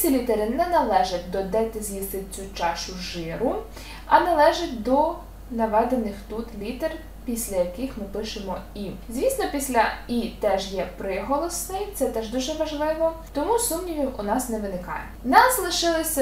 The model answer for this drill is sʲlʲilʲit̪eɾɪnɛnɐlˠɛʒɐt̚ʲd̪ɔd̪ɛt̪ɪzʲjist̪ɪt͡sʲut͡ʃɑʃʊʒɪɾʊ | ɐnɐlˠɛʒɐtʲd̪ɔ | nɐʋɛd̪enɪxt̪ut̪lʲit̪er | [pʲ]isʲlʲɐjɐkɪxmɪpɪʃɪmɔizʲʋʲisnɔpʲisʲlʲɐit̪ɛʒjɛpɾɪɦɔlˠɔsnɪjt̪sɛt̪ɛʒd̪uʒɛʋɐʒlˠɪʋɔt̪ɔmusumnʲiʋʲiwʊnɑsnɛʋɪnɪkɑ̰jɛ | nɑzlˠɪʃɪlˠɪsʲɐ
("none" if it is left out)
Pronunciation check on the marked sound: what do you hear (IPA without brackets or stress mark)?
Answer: pʲ